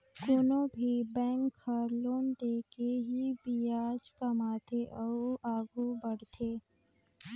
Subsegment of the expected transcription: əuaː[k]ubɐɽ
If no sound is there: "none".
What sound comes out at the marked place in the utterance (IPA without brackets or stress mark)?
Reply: ɡ